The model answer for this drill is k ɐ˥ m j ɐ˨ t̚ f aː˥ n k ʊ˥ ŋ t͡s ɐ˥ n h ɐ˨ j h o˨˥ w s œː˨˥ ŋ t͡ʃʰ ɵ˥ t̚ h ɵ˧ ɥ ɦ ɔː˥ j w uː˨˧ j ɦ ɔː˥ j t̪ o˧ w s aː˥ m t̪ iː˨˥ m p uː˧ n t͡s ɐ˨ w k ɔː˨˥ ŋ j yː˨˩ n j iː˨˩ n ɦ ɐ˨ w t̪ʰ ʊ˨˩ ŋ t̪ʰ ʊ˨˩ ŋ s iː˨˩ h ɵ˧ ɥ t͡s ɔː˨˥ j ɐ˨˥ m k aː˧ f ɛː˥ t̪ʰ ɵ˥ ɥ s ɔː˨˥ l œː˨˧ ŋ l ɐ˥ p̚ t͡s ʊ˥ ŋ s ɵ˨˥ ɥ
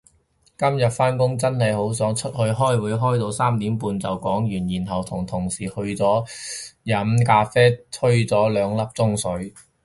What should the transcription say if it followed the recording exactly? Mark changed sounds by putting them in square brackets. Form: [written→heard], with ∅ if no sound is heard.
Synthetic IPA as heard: k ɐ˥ m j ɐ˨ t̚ f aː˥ n k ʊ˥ ŋ t͡s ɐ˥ n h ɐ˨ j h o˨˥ w s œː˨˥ ŋ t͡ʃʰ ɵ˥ t̚ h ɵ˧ ɥ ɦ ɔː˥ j w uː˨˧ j ɦ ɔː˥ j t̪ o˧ w s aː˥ m t̪ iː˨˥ m p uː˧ n t͡s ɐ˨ w k ɔː˨˥ ŋ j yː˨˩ n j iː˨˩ n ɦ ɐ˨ w t̪ʰ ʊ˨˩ ŋ t̪ʰ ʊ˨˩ ŋ s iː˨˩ h ɵ˧ ɥ t͡s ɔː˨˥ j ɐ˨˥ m k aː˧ f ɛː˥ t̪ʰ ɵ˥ ɥ [s→t͡s] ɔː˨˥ l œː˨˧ ŋ l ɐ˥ p̚ t͡s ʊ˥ ŋ s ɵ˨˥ ɥ